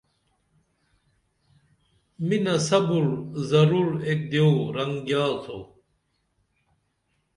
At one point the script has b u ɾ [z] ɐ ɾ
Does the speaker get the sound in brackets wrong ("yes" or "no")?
no